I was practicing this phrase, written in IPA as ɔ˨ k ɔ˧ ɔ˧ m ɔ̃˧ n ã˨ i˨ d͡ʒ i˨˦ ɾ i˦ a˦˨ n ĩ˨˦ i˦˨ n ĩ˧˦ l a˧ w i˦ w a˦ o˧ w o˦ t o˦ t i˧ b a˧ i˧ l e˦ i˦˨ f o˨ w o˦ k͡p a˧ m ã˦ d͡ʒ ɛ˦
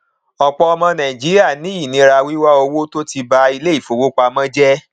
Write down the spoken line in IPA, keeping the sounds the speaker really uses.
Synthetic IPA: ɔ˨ k͡p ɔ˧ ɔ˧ m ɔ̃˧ n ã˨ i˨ d͡ʒ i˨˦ ɾ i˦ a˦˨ n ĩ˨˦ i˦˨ n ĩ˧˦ ɾ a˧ w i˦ w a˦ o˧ w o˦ t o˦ t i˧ b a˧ i˧ l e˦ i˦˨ f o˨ w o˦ k͡p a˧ m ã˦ d͡ʒ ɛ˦